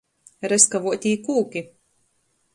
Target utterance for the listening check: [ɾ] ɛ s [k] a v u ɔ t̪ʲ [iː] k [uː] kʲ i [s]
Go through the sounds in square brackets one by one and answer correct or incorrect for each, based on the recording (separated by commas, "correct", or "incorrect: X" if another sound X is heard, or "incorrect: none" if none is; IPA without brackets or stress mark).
correct, correct, correct, correct, incorrect: none